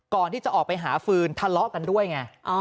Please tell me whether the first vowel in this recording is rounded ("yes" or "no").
yes